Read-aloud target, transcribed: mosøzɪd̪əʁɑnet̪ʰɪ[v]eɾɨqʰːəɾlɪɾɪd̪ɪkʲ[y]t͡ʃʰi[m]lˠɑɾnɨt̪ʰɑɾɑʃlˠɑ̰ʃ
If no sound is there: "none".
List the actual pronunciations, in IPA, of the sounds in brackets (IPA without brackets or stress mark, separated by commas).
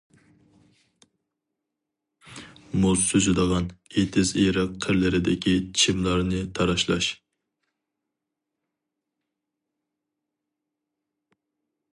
z, i, m